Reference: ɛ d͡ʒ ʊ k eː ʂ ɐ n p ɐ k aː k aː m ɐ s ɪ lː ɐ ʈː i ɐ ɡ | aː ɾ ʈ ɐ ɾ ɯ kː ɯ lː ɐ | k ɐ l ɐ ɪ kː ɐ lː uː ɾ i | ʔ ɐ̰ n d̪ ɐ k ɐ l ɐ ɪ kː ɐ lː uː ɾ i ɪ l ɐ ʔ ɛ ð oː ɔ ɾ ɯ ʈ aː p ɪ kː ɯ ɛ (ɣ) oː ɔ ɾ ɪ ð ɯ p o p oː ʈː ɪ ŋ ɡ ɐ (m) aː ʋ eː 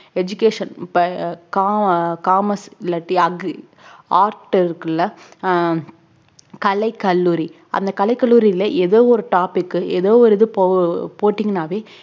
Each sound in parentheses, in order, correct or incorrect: incorrect: ð, incorrect: n

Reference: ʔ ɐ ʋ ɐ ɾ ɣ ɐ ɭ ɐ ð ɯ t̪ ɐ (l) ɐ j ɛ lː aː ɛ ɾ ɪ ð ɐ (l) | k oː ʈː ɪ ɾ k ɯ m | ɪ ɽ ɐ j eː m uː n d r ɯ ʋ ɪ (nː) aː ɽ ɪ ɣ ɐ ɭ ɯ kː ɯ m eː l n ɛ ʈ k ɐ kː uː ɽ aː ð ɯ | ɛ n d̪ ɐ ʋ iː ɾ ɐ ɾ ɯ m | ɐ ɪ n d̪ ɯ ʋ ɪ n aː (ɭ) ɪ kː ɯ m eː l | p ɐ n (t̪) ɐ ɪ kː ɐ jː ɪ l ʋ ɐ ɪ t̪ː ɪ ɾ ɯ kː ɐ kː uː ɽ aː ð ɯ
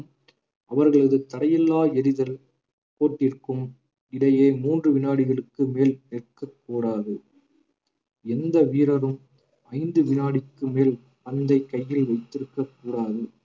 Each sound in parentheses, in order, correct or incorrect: incorrect: ɽ, correct, incorrect: n, incorrect: ɽ, incorrect: d̪

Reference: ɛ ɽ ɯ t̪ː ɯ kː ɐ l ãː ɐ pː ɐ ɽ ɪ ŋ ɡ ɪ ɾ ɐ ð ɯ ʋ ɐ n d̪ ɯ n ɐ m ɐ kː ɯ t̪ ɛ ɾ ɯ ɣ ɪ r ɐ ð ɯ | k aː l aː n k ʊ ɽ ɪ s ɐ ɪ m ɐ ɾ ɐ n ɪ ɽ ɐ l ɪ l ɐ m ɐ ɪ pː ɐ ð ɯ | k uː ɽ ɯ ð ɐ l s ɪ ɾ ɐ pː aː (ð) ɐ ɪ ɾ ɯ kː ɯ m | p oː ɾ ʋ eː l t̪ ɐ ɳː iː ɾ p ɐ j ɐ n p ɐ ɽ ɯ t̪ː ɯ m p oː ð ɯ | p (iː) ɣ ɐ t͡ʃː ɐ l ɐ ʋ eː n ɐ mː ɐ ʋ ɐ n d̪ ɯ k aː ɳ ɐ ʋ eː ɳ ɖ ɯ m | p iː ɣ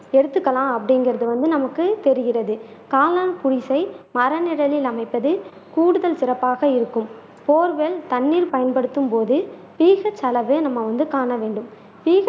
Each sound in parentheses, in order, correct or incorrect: incorrect: ɣ, correct

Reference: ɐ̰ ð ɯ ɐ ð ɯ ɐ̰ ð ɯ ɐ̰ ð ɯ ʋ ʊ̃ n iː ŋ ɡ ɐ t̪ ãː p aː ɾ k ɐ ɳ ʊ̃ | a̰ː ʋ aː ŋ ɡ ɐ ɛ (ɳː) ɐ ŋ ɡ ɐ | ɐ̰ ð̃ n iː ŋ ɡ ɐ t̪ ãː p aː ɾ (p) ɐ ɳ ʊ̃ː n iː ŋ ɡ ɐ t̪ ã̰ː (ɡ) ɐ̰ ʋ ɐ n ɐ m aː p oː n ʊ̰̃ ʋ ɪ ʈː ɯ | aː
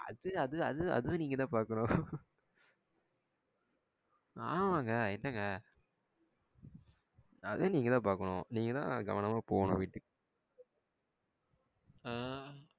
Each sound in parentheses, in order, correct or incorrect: incorrect: nː, incorrect: k, correct

